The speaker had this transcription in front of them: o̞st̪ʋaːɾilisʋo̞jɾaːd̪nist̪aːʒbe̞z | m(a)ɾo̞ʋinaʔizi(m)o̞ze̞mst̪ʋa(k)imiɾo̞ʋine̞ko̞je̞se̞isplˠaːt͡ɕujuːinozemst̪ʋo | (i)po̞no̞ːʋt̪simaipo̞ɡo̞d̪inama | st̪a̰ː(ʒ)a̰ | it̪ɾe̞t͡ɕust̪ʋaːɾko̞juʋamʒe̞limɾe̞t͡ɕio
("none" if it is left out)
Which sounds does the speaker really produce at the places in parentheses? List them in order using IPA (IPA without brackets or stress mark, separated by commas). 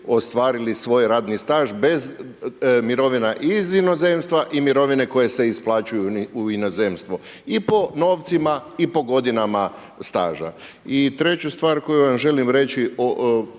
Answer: i, n, ʔ, i, ʒ